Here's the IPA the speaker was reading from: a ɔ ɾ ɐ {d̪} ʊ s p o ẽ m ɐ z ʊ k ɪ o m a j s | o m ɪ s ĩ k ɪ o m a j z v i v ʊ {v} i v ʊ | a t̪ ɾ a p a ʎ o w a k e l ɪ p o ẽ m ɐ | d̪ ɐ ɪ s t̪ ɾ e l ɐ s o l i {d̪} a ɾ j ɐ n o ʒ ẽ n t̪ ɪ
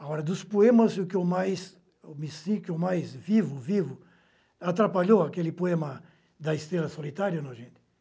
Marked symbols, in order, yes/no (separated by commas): yes, yes, no